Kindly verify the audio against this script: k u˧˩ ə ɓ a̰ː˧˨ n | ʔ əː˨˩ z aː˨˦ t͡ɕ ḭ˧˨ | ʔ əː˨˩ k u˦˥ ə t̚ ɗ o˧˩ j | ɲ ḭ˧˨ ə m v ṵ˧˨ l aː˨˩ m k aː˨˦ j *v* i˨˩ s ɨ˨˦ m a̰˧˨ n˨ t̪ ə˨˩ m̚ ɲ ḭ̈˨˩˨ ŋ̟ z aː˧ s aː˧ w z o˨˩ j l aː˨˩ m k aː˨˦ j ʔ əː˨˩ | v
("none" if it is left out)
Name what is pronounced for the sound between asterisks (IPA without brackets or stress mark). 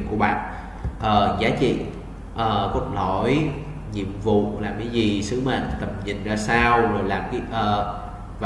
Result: z